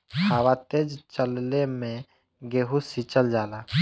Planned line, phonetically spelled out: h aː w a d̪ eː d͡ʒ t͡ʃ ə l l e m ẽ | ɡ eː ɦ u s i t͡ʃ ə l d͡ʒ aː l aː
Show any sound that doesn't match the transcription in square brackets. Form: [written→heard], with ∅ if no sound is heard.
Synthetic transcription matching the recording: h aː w a [d̪→t̪] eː d͡ʒ t͡ʃ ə l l e m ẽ | ɡ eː ɦ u s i t͡ʃ ə l d͡ʒ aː l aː